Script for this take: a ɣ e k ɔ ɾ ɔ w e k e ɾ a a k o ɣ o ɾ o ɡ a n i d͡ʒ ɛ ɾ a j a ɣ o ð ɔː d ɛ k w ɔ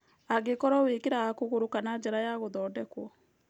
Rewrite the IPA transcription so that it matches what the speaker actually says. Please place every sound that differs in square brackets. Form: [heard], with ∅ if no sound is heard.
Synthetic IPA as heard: a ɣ e k ɔ ɾ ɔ w e k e ɾ a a k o ɣ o ɾ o [k] a n [a] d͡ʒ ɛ ɾ a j a ɣ o ð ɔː d ɛ k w ɔ